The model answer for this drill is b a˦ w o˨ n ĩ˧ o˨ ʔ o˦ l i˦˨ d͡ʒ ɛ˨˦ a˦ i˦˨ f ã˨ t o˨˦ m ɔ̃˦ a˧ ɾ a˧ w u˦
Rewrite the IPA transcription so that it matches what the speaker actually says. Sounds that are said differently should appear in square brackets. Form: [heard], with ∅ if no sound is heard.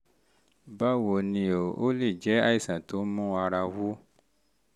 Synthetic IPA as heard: b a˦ w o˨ n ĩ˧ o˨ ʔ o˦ l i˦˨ d͡ʒ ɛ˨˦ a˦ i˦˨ [s] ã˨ t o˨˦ m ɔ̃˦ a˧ ɾ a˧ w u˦

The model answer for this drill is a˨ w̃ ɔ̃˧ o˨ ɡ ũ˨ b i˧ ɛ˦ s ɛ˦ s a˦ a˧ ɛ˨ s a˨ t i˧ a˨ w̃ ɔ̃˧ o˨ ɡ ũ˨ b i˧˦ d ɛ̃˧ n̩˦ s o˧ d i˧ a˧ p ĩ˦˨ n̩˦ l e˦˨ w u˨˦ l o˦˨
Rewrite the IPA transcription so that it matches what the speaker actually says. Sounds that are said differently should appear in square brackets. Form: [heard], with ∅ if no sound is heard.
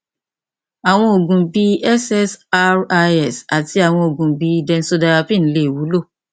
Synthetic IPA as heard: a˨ w̃ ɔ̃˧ o˨ ɡ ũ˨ b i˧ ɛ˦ s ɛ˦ s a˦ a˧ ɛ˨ s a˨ t i˧ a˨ w̃ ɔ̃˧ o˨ ɡ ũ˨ b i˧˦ d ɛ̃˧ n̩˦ s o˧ d [a˧] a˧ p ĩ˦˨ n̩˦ l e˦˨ w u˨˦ l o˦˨

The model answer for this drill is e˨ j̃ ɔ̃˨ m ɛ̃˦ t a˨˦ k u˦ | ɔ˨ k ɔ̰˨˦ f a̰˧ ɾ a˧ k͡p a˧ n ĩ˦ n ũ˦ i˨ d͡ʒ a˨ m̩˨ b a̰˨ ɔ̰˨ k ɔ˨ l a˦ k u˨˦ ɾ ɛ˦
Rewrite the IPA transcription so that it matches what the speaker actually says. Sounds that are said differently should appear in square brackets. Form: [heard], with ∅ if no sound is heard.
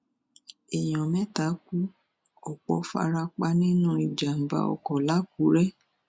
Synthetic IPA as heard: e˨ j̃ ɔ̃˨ m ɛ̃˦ t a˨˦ k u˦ | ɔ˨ [k͡p] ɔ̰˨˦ f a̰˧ ɾ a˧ k͡p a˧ n ĩ˦ n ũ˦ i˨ d͡ʒ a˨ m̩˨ b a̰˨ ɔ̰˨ k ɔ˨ l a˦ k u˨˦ ɾ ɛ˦

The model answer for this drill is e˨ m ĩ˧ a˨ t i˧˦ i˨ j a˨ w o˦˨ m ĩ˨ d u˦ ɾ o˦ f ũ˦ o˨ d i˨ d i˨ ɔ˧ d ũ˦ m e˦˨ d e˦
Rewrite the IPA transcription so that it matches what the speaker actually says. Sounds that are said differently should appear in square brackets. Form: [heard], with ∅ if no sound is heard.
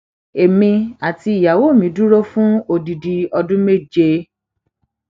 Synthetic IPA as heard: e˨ m ĩ˧ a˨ t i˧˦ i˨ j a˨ w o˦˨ m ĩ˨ d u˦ ɾ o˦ f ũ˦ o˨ d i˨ d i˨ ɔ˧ d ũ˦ m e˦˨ [d͡ʒ] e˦

